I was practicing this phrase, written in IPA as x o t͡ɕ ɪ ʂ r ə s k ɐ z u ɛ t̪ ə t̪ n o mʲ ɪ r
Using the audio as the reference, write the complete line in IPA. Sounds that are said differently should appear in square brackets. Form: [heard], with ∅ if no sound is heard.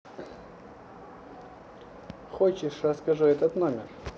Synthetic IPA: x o t͡ɕ ɪ ʂ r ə s k ɐ [ʐ] u ɛ t̪ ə t̪ n o mʲ ɪ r